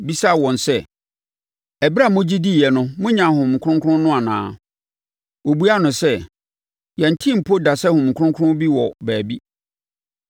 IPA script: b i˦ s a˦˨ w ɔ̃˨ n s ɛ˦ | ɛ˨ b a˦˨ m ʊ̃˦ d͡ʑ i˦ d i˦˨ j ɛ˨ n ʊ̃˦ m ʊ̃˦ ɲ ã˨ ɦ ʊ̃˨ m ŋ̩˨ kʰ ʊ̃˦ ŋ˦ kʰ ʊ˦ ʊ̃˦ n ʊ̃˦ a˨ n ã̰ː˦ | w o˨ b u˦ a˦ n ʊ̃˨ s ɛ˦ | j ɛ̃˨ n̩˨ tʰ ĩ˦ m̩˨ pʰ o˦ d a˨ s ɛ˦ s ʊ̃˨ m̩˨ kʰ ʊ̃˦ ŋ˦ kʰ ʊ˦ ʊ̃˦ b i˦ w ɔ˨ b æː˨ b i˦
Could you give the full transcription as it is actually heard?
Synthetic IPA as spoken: b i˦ s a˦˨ w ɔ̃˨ n s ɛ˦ | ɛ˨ b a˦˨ m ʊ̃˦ d͡ʑ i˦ d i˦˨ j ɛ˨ n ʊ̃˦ m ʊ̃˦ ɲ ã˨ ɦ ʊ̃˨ m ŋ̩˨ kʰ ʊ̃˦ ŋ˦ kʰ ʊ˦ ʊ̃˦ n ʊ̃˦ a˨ n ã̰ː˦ | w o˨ b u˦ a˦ n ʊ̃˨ s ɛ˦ | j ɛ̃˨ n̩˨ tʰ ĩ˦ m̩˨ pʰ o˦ d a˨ s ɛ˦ h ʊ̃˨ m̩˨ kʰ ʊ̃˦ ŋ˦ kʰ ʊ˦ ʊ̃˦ b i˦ w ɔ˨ b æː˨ b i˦